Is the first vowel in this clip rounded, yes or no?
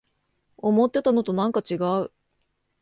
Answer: yes